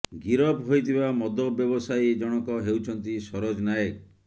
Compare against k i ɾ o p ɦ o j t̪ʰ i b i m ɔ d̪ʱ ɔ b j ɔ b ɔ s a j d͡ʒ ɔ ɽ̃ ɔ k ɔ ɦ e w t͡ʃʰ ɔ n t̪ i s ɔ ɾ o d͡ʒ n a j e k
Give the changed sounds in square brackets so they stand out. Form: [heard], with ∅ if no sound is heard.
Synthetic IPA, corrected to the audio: [ɡ] i ɾ [ɔ] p ɦ o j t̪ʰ i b [a] m ɔ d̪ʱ ɔ b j ɔ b ɔ s a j d͡ʒ ɔ ɽ̃ ɔ k ɔ ɦ e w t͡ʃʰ ɔ n t̪ i s ɔ ɾ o d͡ʒ n a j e k